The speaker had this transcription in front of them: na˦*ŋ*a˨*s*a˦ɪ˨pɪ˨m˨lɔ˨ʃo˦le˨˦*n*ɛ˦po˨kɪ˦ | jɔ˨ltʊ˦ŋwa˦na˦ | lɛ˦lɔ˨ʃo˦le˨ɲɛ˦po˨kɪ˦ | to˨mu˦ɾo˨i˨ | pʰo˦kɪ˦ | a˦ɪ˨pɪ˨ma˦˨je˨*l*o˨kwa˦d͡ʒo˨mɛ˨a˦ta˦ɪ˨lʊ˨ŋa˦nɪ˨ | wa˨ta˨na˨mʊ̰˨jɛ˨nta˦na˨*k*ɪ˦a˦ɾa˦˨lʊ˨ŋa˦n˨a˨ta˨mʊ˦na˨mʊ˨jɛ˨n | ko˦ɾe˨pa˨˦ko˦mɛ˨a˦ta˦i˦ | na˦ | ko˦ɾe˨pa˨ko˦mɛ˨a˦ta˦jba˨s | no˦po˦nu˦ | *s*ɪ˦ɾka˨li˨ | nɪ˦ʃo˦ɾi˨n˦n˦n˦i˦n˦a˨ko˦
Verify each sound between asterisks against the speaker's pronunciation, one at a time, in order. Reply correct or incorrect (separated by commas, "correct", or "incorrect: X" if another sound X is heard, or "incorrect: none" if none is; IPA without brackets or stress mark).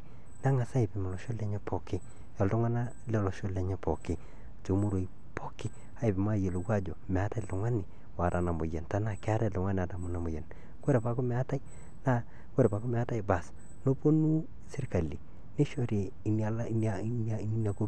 correct, correct, incorrect: ɲ, correct, correct, correct